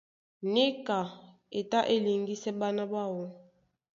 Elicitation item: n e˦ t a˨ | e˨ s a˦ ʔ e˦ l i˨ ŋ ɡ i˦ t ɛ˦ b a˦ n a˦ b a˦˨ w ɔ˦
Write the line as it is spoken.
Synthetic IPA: n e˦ k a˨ | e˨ t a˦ ʔ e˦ l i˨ ŋ ɡ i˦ s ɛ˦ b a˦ n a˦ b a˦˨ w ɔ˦